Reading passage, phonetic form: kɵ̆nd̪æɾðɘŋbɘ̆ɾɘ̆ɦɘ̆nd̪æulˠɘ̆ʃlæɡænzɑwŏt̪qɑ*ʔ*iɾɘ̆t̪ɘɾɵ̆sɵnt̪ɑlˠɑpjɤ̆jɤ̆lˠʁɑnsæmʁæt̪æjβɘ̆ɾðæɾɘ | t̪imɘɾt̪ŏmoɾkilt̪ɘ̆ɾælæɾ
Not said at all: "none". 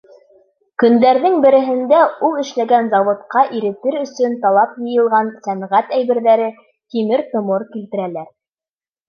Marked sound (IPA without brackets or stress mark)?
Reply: ʔ